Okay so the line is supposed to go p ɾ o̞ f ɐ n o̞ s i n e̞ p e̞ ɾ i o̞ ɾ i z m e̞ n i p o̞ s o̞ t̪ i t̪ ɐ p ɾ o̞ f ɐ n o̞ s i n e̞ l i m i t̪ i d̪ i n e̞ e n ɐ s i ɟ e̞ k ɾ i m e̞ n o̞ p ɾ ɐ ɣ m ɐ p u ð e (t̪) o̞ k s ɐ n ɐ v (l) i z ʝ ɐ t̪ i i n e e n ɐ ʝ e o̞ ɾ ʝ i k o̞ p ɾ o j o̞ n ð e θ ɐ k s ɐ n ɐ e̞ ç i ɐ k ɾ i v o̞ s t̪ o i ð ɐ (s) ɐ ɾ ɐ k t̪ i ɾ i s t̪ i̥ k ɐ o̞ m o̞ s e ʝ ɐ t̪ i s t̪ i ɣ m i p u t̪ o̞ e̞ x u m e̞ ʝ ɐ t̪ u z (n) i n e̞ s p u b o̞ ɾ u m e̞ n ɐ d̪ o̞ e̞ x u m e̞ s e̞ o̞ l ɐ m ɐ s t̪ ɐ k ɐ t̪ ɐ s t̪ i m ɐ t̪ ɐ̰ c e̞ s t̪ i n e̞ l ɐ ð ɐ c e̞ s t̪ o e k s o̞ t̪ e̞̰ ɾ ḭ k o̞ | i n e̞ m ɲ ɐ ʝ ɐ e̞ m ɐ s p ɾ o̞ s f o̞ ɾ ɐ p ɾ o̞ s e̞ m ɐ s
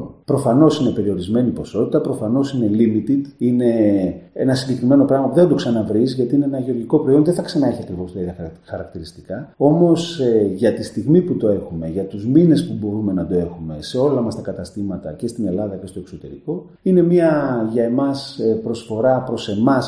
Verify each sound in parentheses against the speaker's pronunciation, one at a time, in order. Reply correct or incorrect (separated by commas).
incorrect, incorrect, incorrect, incorrect